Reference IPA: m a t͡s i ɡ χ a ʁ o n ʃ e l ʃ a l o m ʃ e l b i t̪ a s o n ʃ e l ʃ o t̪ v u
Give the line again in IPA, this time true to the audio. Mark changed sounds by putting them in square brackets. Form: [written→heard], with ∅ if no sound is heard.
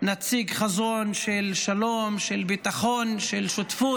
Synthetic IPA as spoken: [m→n] a t͡s i ɡ χ a [ʁ→z] o n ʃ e l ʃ a l o m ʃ e l b i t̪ a [s→χ] o n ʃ e l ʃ o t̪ [v→f] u